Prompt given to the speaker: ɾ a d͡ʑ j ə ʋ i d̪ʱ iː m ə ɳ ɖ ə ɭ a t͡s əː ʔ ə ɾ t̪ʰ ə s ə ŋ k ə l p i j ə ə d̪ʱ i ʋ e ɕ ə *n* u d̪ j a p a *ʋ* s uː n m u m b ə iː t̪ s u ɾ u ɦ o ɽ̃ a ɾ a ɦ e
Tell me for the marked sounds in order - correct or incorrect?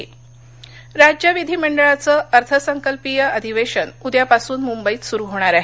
correct, incorrect: none

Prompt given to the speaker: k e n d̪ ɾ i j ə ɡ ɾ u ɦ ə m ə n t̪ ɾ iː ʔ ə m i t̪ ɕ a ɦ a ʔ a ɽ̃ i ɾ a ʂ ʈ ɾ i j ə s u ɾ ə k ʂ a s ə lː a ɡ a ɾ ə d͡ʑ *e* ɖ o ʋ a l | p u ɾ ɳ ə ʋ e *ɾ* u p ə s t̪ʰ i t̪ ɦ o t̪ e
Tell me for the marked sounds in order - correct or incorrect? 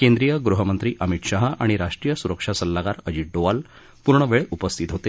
incorrect: i, incorrect: ɭ

